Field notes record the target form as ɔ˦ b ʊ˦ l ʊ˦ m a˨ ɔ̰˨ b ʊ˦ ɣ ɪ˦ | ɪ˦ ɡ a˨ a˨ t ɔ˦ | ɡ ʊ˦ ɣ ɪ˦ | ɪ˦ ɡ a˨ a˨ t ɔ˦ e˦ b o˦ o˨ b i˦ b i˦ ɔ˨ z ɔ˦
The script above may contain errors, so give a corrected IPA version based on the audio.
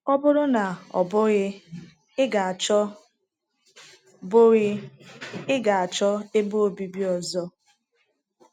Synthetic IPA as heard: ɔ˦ b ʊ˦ ɾ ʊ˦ n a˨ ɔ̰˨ b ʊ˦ ɣ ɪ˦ | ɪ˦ ɡ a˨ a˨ t͡ʃ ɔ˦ | b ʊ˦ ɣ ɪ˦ | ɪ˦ ɡ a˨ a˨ t͡ʃ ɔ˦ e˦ b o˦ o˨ b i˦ b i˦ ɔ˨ z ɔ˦

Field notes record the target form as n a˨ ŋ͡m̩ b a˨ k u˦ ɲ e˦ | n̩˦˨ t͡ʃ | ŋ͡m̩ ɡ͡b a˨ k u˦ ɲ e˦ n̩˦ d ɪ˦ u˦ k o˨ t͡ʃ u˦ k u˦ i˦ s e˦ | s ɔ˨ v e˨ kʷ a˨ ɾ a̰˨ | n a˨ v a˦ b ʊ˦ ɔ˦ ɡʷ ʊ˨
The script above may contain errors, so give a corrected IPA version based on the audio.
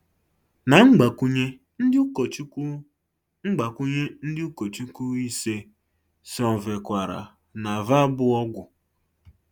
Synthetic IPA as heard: n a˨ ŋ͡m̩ ɡ͡b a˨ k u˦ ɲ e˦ | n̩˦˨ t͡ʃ | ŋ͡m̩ ɡ͡b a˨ k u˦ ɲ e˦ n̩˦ d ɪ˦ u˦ k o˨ t͡ʃ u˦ k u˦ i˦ s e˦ | s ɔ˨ v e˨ kʷ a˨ ɾ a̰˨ | n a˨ v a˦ b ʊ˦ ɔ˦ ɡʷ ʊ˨

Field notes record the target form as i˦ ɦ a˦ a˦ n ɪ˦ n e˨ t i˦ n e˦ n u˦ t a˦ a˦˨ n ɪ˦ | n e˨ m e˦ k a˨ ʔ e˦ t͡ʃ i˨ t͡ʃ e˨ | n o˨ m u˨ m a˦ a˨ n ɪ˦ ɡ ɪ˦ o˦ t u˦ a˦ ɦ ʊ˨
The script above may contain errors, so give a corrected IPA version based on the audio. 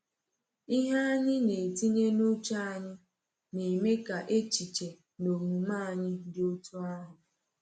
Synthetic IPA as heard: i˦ ɦ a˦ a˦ ɲ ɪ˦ n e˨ t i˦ ɲ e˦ n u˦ t͡ʃ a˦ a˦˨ ɲ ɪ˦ | n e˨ m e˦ k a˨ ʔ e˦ t͡ʃ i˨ t͡ʃ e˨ | n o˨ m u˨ m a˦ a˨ ɲ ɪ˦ d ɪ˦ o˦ t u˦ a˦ ɦ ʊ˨

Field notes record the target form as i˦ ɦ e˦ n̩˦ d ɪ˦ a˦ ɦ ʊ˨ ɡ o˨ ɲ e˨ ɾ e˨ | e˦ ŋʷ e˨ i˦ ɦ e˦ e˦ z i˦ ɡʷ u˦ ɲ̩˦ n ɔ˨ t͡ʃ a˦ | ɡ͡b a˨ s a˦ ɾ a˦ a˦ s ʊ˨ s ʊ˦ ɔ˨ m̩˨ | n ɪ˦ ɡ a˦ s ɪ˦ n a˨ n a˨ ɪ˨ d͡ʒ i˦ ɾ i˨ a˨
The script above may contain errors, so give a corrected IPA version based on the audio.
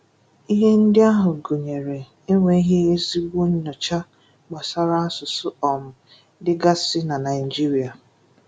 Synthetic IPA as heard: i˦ ɦ e˦ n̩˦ d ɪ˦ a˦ ɦ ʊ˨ ɡ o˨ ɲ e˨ ɾ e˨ | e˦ ŋʷ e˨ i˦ ɦ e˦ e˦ z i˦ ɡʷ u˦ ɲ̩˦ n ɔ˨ t͡ʃ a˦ | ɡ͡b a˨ s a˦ ɾ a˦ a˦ s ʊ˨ s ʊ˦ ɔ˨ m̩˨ | d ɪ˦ ɡ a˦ s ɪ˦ n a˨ n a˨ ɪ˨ d͡ʒ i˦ ɾ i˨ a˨

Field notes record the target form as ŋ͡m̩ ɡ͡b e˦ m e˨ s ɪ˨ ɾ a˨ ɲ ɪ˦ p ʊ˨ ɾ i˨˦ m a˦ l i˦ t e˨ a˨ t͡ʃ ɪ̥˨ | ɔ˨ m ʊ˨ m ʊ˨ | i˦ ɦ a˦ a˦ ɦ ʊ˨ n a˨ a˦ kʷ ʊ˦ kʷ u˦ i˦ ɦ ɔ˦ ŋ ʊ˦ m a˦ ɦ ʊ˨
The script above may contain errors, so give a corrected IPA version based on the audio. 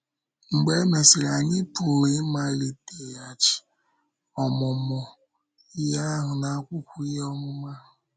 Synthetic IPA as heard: ŋ͡m̩ ɡ͡b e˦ m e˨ s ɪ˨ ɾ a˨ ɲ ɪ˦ p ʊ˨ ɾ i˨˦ m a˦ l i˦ t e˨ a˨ t͡ʃ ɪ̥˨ | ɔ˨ m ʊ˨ m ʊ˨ | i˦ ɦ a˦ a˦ ɦ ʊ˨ n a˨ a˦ kʷ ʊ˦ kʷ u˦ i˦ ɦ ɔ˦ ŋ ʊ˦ m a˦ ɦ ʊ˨

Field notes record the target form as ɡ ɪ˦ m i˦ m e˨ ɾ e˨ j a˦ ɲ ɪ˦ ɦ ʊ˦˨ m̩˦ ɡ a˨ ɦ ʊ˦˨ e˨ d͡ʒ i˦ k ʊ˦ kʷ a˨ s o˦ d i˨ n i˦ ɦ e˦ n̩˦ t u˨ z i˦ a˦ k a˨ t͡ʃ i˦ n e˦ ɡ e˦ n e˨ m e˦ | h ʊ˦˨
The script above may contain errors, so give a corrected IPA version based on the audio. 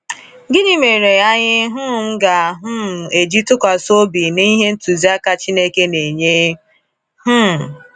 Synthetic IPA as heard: ɡ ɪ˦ ɲ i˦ m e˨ ɾ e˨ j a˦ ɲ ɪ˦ ɦ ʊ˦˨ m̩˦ ɡ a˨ ɦ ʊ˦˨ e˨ d͡ʒ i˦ t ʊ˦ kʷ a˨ s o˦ b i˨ n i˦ ɦ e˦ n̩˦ t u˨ z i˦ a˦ k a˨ t͡ʃ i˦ n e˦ k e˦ n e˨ ɲ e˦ | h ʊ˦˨

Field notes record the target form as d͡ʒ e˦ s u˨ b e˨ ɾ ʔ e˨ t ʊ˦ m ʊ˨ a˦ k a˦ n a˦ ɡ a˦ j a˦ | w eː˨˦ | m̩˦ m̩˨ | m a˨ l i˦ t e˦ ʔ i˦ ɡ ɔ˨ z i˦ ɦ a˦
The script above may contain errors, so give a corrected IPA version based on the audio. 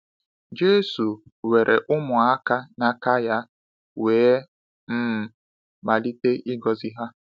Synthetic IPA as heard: d͡ʒ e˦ s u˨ w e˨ ɾ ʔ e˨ ʔ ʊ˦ m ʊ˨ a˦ k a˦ n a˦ k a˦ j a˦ | w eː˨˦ | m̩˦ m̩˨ | m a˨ l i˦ t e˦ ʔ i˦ ɡ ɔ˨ z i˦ ɦ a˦

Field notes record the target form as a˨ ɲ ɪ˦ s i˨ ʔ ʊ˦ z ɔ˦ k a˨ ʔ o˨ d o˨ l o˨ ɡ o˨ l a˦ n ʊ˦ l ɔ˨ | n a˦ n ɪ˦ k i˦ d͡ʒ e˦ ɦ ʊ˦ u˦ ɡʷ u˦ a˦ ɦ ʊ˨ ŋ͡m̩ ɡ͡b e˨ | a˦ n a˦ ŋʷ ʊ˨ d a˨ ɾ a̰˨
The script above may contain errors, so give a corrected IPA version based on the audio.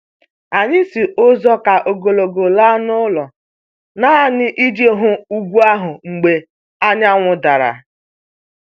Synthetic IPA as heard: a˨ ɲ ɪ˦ s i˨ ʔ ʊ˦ z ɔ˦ k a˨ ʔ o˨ ɡ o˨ l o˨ ɡ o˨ l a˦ n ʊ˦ l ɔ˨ | n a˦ n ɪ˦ ʔ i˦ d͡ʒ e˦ ɦ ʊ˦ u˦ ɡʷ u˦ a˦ ɦ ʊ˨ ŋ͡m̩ ɡ͡b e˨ | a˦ ɲ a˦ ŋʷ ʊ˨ d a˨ ɾ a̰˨

